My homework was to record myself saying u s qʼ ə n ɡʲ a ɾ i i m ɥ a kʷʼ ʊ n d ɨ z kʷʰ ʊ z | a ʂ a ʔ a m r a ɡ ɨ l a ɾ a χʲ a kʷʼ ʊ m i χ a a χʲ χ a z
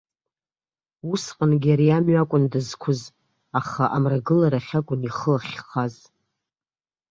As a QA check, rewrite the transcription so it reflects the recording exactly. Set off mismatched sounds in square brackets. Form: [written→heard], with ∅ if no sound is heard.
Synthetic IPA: u s qʼ ə n ɡʲ a ɾ i [i→a] m ɥ a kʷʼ ʊ n d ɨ z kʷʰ ʊ z | a [ʂ→χ] a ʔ a m r a ɡ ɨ l a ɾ a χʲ a kʷʼ ʊ [m→n] i χ [a→ə] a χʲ χ a z